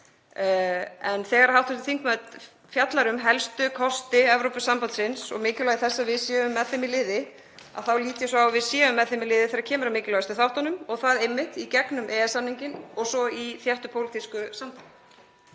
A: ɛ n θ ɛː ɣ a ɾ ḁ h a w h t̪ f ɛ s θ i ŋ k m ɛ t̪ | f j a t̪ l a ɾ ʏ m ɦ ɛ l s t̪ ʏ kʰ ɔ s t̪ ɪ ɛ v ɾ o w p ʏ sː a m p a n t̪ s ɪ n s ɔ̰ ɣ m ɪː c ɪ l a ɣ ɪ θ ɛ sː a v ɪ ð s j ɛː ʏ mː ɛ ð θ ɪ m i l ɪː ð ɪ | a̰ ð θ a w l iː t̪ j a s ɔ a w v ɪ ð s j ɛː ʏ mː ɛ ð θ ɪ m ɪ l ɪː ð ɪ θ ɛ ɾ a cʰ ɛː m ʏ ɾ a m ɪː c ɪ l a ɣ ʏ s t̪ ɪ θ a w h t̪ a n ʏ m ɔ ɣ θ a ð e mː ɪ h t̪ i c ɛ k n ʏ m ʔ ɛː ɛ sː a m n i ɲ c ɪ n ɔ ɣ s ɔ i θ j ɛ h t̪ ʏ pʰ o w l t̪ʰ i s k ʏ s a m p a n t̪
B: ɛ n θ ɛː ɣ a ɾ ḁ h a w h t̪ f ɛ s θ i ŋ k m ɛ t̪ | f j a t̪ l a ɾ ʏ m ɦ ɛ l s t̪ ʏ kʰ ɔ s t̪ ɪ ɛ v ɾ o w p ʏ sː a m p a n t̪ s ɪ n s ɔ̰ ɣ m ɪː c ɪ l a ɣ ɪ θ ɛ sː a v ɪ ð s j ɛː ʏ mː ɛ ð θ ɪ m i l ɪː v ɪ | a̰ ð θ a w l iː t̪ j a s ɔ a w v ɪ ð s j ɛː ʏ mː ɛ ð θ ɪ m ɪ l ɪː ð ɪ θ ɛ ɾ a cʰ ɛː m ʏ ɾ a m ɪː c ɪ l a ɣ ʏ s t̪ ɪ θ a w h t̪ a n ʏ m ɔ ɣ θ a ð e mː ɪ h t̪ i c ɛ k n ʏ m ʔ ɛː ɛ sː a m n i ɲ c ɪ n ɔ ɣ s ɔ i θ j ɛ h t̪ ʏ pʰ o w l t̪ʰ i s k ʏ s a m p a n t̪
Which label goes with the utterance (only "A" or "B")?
A